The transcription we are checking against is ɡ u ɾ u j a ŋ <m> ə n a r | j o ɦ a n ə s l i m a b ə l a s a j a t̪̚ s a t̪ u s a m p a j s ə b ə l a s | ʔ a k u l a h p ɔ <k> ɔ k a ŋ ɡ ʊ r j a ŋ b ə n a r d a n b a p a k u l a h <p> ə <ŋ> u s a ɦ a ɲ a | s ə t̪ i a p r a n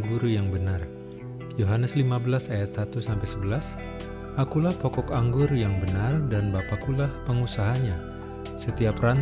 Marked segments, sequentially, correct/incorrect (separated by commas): incorrect, correct, correct, correct